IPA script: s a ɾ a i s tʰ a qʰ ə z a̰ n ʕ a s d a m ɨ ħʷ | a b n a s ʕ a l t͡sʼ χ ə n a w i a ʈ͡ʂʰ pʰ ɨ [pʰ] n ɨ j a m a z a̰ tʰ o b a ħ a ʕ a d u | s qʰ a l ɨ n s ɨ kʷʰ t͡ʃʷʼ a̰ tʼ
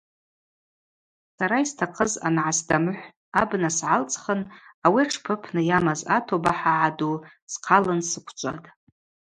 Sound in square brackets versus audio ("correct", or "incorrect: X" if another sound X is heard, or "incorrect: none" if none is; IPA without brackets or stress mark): correct